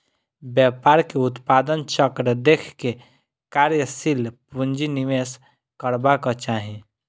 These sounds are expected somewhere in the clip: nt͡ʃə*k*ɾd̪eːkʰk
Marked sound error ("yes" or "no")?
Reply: no